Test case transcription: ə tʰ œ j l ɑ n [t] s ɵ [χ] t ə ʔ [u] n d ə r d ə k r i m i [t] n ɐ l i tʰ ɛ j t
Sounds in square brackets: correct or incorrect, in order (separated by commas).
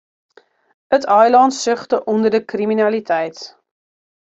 correct, correct, incorrect, incorrect